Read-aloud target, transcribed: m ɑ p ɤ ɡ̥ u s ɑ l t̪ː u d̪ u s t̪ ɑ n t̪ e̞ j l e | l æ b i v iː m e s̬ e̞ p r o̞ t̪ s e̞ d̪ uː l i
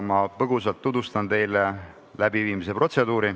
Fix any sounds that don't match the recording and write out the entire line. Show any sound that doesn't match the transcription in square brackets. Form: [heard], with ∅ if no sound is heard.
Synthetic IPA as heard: m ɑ p ɤ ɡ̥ u s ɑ l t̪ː u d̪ u s t̪ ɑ n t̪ e̞ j l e | l æ b i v iː m [i] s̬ e̞ p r o̞ t̪ s e̞ d̪ uː [ɾ] i

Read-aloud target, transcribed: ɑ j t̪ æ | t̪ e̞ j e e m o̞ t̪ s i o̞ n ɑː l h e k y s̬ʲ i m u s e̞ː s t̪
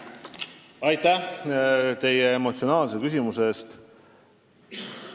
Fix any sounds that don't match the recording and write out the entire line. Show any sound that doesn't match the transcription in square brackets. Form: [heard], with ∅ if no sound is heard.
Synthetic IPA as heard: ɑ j t̪ æ | t̪ e̞ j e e m o̞ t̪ s i o̞ n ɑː l [s] e k y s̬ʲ i m u s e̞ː s t̪

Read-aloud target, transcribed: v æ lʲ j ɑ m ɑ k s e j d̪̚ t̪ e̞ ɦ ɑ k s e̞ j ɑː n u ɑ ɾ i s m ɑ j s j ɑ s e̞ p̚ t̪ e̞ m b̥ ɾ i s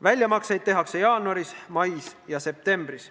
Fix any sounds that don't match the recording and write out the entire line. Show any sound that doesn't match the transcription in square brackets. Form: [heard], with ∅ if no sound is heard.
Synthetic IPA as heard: v æ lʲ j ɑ m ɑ k s e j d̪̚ t̪ e̞ ɦ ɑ k s e̞ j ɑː n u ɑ ɾ i s m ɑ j s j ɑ s e̞ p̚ t̪ e̞ m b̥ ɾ i s

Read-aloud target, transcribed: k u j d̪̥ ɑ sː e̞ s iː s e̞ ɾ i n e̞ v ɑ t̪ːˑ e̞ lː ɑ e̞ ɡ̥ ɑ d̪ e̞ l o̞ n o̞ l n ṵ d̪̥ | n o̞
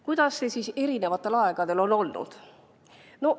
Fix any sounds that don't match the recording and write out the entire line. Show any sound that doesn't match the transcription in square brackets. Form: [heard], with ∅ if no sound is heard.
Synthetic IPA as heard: k u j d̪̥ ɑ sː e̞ s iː s e̞ ɾ i n e̞ v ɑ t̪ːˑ e̞ [l] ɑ e̞ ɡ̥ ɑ d̪ e̞ l o̞ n o̞ l n ṵ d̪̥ | n o̞

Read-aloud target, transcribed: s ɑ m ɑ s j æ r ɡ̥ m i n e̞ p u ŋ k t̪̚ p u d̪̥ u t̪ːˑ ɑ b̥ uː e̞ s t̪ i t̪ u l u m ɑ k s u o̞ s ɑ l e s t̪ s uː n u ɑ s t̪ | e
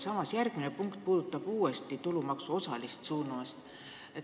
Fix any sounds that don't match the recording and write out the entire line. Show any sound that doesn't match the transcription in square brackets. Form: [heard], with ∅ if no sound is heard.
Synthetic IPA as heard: s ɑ m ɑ s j æ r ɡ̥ m i n e̞ p u ŋ k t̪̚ p [uː] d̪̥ u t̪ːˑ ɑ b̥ uː e̞ s t̪ i t̪ u l u m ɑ k s u o̞ s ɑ l [i] s t̪ s uː n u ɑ s t̪ | e

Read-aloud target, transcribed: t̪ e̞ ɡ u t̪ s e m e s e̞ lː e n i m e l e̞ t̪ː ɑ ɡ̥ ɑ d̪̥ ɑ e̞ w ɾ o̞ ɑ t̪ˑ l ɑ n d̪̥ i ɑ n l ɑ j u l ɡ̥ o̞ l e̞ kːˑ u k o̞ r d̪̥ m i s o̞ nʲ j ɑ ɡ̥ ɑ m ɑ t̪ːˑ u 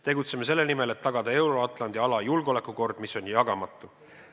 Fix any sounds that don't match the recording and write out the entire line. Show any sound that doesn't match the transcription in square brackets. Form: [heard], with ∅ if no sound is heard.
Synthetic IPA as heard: t̪ e̞ ɡ u t̪ s e m e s e̞ lː e n i m e l e̞ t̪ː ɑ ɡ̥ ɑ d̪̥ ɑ e̞ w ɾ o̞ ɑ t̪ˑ l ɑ n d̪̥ i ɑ [∅] l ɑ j u l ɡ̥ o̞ l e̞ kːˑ u k o̞ r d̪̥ m i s o̞ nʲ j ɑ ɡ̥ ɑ m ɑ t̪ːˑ u

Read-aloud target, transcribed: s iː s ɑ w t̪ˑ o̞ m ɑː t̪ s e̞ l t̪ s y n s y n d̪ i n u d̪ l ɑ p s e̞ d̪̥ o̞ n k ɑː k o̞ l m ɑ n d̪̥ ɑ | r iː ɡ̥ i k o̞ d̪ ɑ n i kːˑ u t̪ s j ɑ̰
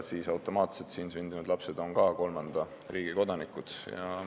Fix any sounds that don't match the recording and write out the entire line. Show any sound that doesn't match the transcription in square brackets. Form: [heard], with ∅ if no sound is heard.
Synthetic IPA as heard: s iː s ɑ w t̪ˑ o̞ m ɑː t̪ s e̞ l t̪ s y n s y n d̪ i n u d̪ l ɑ p s e̞ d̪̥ o̞ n k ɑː k o̞ l m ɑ n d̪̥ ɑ | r iː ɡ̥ i k o̞ d̪ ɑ n i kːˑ u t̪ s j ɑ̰

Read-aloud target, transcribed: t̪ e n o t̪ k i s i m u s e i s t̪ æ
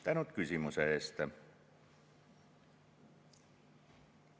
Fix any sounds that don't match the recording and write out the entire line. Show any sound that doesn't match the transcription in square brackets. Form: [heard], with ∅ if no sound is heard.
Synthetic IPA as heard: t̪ [æ] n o t̪ k [y] s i m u s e [e] s t̪ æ

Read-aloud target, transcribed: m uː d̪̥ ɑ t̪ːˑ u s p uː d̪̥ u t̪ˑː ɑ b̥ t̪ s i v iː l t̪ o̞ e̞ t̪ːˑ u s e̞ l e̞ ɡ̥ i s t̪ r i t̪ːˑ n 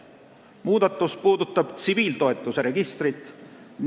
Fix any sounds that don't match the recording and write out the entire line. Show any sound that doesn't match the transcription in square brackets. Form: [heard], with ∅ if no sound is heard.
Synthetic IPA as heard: m uː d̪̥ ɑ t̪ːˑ u s p uː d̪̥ u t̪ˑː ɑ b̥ t̪ s i v iː l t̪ o̞ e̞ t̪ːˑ u s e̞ [ɾ] e̞ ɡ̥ i s t̪ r i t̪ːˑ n

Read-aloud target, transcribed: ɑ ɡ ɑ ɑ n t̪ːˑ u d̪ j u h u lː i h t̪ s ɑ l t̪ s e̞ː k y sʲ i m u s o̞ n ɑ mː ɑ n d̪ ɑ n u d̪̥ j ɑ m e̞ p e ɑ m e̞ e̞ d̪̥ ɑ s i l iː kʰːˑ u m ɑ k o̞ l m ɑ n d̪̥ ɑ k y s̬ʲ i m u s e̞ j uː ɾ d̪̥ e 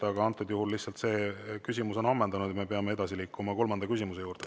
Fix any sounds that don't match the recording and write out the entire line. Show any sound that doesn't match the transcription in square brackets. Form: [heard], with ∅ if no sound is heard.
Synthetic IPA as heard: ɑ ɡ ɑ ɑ n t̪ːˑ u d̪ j u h u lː i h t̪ s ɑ l t̪ s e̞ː k y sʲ i m u s o̞ n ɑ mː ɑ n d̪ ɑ n u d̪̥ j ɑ m e̞ p e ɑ m e̞ e̞ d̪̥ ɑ s i l iː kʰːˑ u m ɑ k o̞ l m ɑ n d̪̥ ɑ k y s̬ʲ i m u s e̞ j uː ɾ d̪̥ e

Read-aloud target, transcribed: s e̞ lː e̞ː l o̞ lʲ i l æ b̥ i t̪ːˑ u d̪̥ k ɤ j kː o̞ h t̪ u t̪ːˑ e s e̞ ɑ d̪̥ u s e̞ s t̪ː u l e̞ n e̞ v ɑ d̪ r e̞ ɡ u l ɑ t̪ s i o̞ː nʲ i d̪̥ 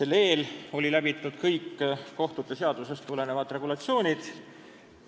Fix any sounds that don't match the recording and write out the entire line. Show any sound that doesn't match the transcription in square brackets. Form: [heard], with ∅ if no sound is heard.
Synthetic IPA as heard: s e̞ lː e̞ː l o̞ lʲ i l æ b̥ i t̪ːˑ u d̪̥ k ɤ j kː o̞ h t̪ u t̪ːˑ e s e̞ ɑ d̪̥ u s e̞ s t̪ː u l e̞ n e̞ v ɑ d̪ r e̞ ɡ u l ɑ t̪ s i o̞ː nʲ i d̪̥

